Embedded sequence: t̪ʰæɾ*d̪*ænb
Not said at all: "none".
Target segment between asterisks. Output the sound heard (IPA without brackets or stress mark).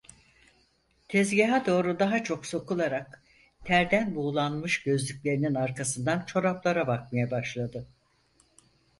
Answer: d̪